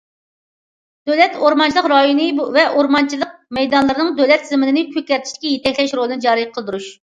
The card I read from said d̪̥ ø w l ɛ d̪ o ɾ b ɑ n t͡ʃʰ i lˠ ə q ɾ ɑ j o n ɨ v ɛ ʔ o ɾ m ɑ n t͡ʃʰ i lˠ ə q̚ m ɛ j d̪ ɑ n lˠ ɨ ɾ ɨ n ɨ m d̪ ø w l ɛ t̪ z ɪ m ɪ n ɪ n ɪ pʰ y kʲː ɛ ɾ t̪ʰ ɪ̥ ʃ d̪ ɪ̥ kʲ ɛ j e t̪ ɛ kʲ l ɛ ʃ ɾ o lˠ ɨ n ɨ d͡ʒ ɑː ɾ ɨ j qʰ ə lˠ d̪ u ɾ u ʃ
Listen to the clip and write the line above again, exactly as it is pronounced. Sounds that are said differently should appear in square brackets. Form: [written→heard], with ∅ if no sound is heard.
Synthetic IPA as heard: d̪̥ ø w l ɛ [d̪→t̪] o ɾ [b→m] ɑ n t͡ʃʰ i lˠ ə q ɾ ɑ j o n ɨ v ɛ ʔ o ɾ m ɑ n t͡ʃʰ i lˠ ə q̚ m ɛ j d̪ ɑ n lˠ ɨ ɾ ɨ n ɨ [m→ŋ] d̪ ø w l ɛ t̪ z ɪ m ɪ n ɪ n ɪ pʰ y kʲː ɛ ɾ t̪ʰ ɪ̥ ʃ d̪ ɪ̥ kʲ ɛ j e t̪ ɛ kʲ l ɛ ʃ ɾ o lˠ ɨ n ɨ d͡ʒ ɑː ɾ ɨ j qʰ ə lˠ d̪ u ɾ u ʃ